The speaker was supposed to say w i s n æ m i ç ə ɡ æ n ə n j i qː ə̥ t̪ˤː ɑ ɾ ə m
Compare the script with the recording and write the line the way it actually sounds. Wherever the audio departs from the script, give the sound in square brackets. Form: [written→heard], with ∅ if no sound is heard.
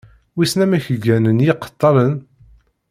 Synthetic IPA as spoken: w i s n æ m [i→æ] ç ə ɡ æ n ə n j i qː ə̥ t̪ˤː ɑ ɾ ə [m→n]